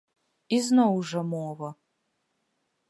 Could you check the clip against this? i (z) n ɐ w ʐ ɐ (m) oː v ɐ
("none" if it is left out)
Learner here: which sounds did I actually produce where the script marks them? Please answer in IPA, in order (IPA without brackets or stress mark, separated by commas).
z, m